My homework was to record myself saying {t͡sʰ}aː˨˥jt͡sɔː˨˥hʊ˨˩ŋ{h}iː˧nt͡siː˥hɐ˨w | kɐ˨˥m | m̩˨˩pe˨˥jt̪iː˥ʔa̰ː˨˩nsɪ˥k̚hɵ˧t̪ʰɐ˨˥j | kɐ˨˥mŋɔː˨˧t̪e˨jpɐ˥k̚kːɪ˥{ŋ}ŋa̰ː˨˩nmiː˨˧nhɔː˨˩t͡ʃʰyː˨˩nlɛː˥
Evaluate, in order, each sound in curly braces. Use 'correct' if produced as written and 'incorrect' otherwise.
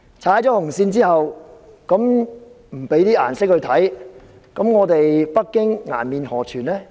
correct, incorrect, correct

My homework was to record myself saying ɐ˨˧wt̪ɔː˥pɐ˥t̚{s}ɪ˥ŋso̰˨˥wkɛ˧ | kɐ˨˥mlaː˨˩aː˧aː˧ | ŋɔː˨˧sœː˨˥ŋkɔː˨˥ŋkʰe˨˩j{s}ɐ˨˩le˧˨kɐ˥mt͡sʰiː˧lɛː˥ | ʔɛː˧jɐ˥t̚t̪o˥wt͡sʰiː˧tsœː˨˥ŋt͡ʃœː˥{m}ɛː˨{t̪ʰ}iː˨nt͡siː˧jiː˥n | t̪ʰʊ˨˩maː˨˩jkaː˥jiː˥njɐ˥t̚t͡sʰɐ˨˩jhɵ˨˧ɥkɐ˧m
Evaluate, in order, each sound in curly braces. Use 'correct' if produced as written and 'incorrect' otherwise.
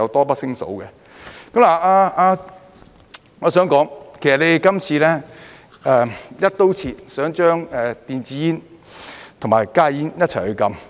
correct, correct, incorrect, incorrect

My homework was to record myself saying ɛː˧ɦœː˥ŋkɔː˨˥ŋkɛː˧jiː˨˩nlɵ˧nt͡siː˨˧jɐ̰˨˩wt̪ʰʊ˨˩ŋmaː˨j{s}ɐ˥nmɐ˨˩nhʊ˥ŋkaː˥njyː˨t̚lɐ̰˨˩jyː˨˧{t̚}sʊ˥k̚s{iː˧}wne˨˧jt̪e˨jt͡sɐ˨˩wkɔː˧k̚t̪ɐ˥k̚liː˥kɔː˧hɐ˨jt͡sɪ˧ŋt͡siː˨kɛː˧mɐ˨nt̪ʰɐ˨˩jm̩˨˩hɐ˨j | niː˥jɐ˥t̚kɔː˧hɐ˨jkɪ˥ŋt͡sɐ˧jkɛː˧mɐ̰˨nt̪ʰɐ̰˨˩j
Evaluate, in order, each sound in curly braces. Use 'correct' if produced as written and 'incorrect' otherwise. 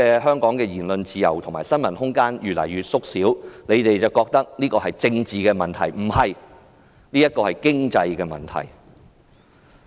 correct, correct, incorrect

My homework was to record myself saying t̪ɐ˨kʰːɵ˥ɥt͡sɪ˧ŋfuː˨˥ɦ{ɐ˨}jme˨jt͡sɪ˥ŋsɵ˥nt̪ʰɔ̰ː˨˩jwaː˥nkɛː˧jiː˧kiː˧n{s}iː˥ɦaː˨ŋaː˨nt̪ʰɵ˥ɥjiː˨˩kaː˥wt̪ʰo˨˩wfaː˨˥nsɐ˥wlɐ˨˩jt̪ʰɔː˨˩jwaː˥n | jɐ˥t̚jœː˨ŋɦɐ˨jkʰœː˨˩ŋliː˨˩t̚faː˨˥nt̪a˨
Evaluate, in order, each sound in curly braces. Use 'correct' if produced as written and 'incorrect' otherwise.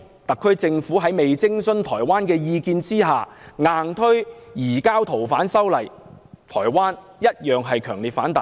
incorrect, incorrect

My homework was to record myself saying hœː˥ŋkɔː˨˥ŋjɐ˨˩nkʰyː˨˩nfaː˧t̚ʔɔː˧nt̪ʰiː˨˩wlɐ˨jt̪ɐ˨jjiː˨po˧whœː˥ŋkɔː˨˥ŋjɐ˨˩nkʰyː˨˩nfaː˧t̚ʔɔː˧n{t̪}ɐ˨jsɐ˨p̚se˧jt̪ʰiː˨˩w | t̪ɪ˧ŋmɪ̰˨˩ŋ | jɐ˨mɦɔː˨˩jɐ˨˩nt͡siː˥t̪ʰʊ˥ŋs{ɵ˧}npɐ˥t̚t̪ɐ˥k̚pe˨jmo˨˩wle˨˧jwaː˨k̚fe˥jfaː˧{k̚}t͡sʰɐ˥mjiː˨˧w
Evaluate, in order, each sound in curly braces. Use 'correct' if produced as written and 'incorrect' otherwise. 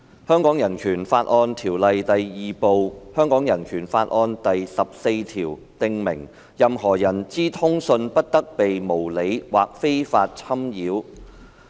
correct, correct, incorrect

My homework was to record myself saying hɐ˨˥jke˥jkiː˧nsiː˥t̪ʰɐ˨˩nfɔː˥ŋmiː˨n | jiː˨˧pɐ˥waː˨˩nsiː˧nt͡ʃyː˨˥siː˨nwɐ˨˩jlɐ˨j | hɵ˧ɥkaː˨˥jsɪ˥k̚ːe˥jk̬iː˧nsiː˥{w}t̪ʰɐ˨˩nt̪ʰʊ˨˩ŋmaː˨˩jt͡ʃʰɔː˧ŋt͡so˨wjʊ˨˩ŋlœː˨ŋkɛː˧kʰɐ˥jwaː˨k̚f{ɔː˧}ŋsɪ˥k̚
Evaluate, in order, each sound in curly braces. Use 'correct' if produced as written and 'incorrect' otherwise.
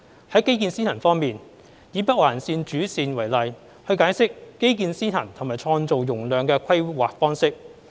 incorrect, incorrect

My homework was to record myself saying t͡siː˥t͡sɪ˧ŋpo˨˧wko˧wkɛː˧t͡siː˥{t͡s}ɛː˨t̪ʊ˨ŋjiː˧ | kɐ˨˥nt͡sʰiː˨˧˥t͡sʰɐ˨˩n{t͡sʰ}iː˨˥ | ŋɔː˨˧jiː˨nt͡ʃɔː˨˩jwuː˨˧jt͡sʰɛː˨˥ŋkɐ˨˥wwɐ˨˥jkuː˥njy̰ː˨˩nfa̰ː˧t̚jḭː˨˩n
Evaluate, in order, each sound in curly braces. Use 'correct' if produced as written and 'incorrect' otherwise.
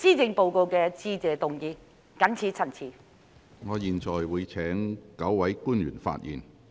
correct, correct

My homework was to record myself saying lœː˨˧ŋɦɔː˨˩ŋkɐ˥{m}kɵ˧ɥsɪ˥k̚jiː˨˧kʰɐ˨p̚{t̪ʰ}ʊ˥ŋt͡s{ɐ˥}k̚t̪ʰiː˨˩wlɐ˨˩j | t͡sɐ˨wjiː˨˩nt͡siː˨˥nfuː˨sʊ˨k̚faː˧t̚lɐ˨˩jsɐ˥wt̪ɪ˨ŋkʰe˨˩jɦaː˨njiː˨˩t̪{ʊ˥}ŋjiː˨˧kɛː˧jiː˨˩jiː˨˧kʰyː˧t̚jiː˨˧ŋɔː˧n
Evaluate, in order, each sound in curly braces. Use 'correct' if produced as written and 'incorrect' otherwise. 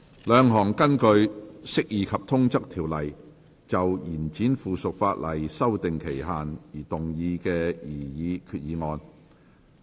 incorrect, correct, correct, incorrect

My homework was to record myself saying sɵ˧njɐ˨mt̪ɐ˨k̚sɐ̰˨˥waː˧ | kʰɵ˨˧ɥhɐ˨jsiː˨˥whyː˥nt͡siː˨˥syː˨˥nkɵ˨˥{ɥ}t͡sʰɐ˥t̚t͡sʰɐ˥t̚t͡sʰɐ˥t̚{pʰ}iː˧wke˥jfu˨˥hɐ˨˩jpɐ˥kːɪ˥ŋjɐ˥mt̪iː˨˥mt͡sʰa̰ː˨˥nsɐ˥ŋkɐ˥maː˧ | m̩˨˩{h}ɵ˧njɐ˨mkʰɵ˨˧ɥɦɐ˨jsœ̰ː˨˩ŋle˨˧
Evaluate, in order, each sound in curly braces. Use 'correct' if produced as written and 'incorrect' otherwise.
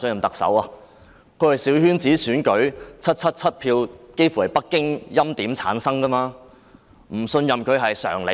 correct, correct, incorrect

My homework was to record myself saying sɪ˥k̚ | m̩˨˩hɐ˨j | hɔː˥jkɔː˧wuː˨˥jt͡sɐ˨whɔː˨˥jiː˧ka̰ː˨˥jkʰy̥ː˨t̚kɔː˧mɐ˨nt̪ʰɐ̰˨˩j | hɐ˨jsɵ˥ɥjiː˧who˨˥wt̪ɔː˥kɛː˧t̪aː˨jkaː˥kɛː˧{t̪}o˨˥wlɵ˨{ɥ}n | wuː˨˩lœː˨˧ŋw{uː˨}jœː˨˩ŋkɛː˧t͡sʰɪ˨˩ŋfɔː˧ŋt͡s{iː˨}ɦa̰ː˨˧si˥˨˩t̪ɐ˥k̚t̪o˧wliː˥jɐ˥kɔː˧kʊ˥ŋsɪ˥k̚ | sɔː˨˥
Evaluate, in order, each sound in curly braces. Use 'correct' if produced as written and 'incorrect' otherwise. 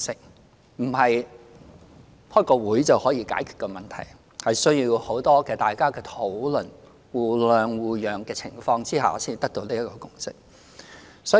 incorrect, incorrect, correct, incorrect

